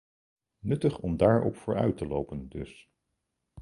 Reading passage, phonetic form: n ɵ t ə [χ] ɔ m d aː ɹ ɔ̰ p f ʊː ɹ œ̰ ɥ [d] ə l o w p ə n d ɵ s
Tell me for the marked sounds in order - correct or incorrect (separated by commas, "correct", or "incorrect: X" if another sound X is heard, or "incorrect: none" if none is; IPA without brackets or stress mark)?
correct, incorrect: t